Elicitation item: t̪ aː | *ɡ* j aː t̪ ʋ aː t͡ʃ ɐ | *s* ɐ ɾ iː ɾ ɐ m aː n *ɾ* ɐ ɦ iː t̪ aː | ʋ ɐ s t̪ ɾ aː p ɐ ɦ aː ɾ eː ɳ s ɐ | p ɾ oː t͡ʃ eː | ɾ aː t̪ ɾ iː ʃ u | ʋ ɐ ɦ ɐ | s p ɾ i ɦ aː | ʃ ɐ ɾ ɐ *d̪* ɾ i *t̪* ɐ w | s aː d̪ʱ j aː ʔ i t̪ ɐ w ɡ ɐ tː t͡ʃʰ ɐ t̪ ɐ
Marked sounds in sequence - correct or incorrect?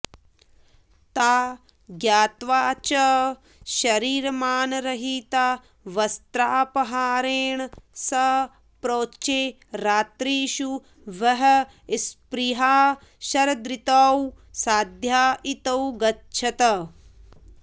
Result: correct, incorrect, correct, correct, correct

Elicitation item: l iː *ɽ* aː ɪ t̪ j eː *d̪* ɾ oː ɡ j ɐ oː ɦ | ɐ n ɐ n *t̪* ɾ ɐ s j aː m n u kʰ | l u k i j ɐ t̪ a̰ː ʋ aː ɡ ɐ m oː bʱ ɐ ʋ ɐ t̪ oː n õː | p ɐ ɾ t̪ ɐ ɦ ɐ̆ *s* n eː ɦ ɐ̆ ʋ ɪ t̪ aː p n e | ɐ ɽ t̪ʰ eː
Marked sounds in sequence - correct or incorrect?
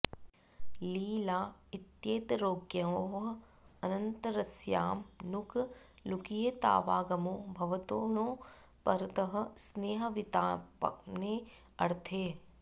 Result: incorrect, incorrect, correct, correct

